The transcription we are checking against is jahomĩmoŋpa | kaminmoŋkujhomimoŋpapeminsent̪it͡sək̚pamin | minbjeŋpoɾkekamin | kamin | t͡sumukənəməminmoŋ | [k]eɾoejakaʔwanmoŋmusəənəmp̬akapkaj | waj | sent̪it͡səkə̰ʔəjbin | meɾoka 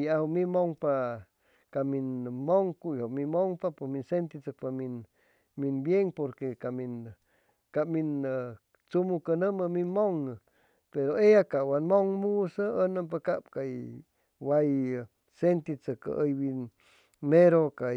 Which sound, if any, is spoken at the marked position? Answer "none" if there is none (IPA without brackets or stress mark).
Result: p